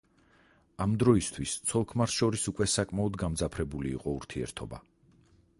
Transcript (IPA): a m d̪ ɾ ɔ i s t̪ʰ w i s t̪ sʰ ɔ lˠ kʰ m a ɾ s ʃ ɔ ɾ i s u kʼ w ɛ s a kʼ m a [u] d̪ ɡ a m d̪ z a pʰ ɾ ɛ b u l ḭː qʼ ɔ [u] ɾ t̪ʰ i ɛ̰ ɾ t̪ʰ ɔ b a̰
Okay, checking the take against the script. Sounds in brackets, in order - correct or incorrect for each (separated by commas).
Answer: incorrect, correct